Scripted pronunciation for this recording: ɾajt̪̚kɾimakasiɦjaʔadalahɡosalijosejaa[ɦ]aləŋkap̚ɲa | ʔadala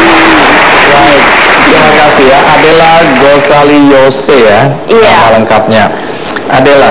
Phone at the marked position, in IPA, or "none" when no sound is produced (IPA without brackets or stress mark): none